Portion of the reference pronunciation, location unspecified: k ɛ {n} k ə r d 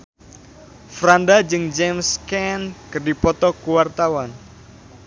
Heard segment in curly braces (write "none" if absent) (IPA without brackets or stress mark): n